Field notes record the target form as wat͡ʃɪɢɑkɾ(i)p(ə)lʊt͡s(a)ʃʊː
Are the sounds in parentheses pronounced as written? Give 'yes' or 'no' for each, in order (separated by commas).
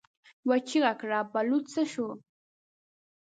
no, no, yes